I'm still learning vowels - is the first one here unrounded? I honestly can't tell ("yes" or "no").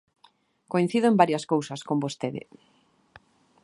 no